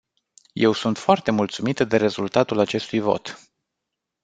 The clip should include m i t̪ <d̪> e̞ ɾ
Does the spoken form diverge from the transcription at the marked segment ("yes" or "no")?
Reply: no